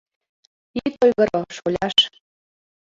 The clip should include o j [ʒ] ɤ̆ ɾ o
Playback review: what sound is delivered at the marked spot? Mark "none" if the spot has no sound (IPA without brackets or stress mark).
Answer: ɣ